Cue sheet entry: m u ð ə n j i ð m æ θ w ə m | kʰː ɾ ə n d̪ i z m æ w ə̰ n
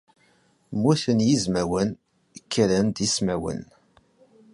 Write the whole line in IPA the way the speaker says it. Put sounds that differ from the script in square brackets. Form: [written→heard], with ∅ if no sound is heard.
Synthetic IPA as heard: m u [ð→θ] ə n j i [ð→z] m æ [θ→∅] w ə [m→n] | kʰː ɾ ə n d̪ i [z→s] m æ w ə̰ n